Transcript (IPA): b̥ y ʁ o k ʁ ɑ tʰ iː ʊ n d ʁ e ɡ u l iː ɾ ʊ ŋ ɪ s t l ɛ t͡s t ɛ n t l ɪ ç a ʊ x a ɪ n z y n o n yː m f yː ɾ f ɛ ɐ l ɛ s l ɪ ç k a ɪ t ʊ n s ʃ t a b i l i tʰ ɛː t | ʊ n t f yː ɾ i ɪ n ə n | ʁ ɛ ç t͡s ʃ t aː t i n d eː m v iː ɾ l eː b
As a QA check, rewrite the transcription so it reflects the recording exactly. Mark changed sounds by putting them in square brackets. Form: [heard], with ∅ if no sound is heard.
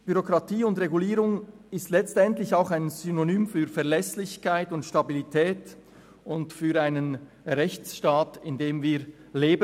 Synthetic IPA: b̥ y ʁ o k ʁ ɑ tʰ iː ʊ n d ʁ e ɡ u l iː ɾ ʊ ŋ ɪ s t l ɛ t͡s t ɛ n t l ɪ ç a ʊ x a ɪ n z y n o n yː m f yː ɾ f ɛ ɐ l ɛ s l ɪ ç k a ɪ t ʊ n [t] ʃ t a b i l i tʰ ɛː t | ʊ n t f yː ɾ [a] ɪ n ə n | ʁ ɛ ç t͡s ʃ t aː t [ɪ] n d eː m v iː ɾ l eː b

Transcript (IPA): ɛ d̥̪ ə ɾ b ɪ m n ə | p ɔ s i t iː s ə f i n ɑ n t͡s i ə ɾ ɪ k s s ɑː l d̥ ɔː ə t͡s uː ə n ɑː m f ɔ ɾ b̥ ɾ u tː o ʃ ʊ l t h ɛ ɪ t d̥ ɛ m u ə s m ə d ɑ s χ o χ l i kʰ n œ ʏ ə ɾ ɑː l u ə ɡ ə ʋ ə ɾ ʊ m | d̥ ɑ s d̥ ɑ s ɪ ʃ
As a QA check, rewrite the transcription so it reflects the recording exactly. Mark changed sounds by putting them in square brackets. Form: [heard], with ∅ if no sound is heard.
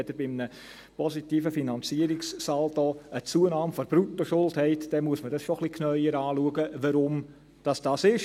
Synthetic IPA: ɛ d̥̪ ə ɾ b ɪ m n ə | p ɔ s i t iː [f] ə f i n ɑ n t͡s i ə ɾ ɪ k s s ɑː l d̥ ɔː ə t͡s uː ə n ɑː m f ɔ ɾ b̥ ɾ u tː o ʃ ʊ l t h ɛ ɪ t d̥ ɛ m u ə s m ə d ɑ s [ʃ] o χ l i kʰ n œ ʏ ə ɾ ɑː l u ə ɡ ə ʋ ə ɾ ʊ m | d̥ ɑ s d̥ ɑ s ɪ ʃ

